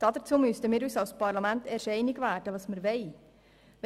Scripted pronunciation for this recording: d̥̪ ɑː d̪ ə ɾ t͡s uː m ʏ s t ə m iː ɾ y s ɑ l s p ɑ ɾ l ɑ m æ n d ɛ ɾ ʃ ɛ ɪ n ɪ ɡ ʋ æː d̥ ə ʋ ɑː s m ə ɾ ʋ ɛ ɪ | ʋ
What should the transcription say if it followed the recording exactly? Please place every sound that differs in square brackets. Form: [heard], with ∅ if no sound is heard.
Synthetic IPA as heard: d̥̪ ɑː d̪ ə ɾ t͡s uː m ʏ s t ə m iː ɾ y s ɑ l s p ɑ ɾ l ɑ m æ n [t] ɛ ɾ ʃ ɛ ɪ n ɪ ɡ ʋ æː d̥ ə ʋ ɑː s m ə ɾ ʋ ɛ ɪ | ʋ